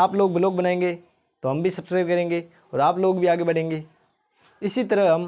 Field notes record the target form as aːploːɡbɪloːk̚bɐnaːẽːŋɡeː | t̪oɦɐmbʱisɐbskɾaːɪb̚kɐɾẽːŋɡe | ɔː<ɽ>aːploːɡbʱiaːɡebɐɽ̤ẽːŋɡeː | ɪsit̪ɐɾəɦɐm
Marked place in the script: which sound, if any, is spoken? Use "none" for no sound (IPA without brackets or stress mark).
ɾ